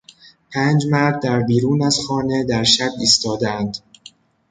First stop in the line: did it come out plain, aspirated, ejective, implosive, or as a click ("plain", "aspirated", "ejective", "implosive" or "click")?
aspirated